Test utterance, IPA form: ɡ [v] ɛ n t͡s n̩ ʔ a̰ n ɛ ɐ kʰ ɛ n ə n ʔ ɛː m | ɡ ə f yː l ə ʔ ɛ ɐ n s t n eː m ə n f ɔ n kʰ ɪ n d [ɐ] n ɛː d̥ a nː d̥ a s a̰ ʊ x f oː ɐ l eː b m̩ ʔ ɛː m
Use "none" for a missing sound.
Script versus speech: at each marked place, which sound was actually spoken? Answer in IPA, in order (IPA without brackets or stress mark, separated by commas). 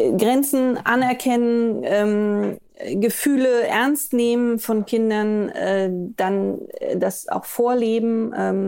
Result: ʁ, ɐ